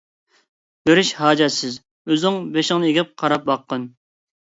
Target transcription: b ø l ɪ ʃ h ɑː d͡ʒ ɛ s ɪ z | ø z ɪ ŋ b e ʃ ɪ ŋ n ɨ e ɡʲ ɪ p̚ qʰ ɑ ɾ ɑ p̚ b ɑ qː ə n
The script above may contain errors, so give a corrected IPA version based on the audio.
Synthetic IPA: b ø ɾ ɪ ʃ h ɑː d͡ʒ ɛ s ɪ z | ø z ɪ ŋ b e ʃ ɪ ŋ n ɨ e ɡʲ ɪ p̚ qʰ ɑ ɾ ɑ p̚ b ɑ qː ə n